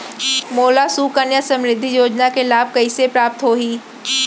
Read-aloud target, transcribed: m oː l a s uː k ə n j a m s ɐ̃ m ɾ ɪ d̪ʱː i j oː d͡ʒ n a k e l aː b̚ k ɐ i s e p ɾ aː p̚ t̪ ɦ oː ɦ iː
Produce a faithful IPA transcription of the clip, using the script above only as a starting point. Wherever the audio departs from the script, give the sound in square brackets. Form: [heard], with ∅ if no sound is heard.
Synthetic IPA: m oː l a s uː k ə n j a [∅] s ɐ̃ m ɾ ɪ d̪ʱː i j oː d͡ʒ n a k e l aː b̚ k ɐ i s e p ɾ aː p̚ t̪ ɦ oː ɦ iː